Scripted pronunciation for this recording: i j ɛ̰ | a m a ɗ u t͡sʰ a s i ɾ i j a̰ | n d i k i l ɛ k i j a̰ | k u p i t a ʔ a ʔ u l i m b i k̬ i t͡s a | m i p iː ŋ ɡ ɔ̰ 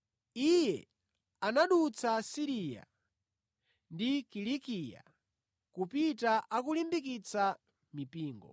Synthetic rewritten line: i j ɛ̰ | a n a ɗ u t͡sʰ a s i ɾ i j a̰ | n d i k i l i k i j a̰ | k u p i t a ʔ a k u l i m b i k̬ i t͡s a | m i p iː ŋ ɡ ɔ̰